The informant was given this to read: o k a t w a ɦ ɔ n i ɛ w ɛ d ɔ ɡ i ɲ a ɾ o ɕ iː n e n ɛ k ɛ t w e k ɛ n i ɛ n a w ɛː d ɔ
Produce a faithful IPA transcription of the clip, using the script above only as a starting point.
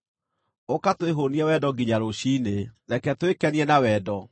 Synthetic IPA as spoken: o k a t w e ɦ o n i ɛ w ɛ d ɔ ɡ i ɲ a ɾ o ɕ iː n e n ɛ k ɛ t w e k ɛ n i ɛ n a w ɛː d ɔ